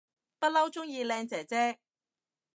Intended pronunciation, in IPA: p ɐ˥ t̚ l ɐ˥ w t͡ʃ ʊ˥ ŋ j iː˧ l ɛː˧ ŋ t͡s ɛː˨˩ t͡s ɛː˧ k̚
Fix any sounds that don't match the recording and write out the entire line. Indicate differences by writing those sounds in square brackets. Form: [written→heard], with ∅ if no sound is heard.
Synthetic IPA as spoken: p ɐ˥ t̚ l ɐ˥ w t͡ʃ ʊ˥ ŋ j iː˧ l ɛː˧ ŋ t͡s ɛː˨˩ t͡s [ɛː˧→ɛː˥] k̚